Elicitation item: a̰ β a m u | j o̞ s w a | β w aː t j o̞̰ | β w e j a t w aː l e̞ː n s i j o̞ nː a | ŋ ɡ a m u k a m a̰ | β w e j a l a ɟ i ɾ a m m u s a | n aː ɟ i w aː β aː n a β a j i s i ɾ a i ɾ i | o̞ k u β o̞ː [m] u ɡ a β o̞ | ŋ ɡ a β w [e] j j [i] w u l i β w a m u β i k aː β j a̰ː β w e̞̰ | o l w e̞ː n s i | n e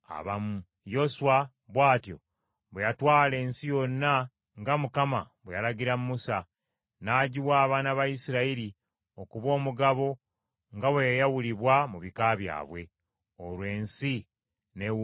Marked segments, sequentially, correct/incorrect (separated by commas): correct, correct, incorrect